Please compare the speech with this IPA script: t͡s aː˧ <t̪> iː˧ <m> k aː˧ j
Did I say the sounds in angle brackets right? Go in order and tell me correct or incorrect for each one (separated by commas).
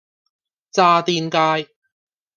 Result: correct, incorrect